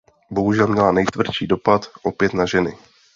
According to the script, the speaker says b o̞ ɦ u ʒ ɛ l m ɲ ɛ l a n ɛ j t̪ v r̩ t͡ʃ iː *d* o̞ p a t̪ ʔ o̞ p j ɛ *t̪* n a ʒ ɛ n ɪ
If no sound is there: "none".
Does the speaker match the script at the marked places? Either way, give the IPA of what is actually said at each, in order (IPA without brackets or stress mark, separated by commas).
d, t̪